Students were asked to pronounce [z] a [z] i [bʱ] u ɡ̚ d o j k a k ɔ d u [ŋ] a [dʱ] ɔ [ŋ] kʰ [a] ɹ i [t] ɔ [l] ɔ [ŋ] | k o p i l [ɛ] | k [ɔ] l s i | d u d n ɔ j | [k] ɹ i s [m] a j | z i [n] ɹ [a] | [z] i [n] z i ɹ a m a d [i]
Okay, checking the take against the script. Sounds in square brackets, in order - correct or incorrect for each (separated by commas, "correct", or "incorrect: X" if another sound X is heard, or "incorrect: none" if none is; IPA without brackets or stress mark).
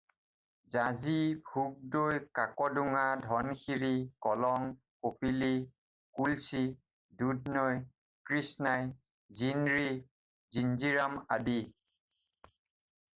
correct, correct, correct, correct, correct, incorrect: n, incorrect: i, incorrect: k, correct, correct, incorrect: i, incorrect: u, correct, incorrect: n, correct, incorrect: i, correct, correct, correct